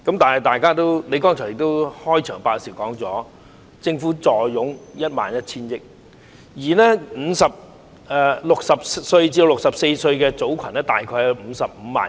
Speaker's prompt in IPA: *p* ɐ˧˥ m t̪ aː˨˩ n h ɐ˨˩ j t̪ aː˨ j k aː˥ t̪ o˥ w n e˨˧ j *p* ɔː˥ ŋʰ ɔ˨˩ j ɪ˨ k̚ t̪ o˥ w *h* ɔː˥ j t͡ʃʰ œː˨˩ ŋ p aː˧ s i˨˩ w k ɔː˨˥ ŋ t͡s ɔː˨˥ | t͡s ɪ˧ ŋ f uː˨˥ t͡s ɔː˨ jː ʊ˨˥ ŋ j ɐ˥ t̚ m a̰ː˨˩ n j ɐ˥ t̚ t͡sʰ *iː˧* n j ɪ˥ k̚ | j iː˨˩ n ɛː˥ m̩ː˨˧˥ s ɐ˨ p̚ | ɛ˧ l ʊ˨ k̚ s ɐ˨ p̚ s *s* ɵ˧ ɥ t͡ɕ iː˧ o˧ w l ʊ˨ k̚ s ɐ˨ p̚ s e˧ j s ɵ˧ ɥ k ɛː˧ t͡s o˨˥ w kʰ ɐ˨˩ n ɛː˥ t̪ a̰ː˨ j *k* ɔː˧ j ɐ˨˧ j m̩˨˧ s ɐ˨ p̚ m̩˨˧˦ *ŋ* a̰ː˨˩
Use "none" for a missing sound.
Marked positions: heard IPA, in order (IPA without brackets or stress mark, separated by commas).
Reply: k, k, h, iː˥, s, kʰ, m